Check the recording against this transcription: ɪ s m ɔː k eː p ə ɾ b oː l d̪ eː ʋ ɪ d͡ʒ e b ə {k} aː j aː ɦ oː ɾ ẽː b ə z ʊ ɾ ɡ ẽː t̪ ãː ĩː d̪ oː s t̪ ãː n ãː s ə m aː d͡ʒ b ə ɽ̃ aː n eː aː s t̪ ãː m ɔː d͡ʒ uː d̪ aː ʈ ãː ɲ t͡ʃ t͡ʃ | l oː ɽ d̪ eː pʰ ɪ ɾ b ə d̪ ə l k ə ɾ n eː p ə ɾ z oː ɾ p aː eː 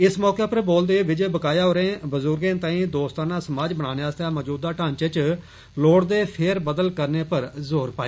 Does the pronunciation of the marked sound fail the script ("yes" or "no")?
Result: no